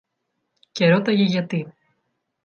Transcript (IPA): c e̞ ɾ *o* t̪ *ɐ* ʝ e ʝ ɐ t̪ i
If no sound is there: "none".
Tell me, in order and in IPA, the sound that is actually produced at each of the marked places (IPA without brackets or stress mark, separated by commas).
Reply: o, ɐ